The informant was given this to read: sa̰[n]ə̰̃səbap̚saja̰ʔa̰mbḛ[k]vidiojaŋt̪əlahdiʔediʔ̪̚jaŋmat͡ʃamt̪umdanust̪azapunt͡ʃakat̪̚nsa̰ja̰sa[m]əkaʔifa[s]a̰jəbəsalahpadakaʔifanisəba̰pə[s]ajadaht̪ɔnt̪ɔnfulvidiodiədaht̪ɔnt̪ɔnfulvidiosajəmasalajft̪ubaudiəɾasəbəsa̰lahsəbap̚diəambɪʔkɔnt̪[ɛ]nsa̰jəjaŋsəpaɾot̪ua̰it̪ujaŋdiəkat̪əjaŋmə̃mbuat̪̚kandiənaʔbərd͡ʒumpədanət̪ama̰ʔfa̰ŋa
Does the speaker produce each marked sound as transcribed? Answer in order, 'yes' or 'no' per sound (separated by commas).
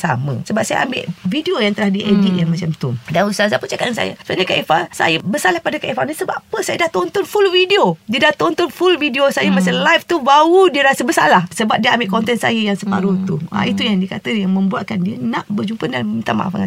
no, no, no, yes, yes, yes